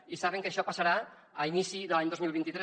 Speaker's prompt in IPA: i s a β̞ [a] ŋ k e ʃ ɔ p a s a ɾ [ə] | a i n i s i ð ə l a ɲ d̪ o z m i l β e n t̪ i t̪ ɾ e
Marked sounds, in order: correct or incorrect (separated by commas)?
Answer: incorrect, incorrect